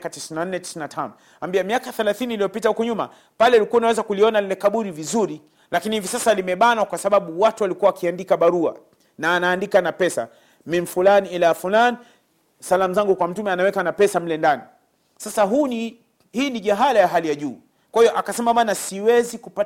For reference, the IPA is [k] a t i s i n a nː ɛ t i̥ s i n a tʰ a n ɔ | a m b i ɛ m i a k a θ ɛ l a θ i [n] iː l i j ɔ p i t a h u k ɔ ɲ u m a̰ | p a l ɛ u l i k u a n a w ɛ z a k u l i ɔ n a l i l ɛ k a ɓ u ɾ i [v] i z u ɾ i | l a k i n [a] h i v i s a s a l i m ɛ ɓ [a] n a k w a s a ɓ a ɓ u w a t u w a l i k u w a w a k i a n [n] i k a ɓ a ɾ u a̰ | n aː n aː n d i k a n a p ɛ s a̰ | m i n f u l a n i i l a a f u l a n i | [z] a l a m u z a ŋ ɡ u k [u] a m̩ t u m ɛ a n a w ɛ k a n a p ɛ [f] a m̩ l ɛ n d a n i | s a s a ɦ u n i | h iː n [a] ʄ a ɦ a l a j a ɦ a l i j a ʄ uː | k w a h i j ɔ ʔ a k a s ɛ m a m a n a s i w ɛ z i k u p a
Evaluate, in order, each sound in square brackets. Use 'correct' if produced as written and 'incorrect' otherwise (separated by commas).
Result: correct, correct, correct, incorrect, correct, incorrect, incorrect, incorrect, incorrect, incorrect